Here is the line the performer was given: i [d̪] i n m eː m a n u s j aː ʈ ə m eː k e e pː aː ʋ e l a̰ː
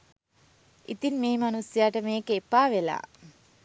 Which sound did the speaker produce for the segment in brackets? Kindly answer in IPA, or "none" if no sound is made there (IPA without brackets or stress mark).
t̪